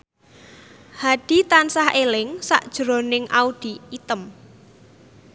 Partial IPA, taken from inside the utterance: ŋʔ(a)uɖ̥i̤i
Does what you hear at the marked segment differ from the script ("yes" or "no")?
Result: no